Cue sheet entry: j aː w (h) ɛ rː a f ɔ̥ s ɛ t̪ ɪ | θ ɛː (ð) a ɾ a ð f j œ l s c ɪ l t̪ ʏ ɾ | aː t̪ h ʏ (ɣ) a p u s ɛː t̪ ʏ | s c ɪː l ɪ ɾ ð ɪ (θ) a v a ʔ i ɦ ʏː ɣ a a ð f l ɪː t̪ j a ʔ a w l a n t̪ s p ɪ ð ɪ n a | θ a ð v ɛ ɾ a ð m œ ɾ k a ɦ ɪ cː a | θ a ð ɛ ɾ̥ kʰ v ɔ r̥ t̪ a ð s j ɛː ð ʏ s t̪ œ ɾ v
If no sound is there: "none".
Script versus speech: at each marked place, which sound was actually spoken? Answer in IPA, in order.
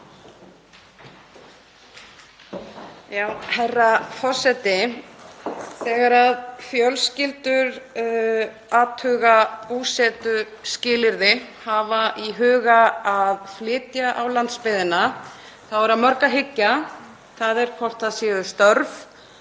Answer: h, ɣ, ɣ, h

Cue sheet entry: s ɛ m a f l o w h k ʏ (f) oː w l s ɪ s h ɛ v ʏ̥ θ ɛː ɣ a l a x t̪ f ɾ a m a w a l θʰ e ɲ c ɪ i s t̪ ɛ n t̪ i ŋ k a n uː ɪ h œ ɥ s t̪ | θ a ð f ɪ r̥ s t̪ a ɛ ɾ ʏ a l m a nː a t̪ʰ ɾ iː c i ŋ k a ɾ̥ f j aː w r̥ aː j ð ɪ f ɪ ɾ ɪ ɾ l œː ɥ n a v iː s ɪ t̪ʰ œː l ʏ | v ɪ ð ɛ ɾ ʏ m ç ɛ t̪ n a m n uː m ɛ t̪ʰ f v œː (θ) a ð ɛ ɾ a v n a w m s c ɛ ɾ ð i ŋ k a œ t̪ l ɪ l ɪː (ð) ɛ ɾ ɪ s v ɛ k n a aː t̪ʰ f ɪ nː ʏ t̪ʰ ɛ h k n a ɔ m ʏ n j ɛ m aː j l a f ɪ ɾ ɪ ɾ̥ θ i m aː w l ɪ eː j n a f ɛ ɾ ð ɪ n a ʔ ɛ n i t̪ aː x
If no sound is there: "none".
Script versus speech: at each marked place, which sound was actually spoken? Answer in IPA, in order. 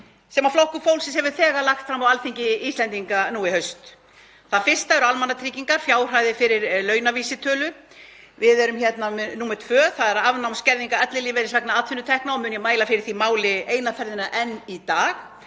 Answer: f, θ, v

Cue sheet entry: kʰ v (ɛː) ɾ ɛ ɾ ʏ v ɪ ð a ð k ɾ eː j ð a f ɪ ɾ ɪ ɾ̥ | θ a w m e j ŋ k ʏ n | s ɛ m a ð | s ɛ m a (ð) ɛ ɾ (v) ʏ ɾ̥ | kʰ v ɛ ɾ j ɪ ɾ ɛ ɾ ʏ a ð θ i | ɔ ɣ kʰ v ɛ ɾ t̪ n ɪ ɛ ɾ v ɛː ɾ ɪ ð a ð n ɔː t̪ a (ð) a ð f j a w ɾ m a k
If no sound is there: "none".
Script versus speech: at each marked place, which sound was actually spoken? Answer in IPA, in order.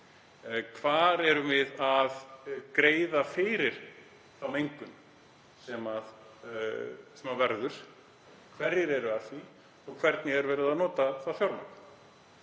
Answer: aː, v, ð, θ

